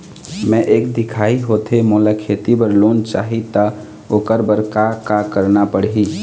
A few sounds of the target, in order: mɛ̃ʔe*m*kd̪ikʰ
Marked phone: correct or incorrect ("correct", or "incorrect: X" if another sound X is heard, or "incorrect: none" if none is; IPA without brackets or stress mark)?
incorrect: none